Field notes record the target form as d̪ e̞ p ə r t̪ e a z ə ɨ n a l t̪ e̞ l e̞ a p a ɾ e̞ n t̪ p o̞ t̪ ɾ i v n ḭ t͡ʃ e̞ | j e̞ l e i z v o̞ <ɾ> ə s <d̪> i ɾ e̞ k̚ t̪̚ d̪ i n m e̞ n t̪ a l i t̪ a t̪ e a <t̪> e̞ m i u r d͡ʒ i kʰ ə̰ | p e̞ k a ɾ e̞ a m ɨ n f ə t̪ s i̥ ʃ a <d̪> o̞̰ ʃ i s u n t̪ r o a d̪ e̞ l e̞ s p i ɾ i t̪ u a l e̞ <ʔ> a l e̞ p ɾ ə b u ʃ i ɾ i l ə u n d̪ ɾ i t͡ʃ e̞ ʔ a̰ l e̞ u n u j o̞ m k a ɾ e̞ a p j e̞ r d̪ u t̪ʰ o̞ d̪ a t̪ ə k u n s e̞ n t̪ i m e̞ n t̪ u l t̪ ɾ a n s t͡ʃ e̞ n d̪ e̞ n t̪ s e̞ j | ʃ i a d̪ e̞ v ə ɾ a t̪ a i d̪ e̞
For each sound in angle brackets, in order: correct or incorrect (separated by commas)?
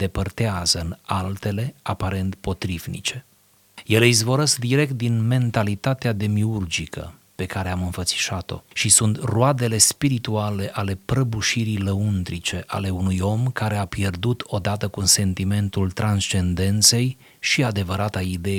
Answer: correct, correct, incorrect, incorrect, correct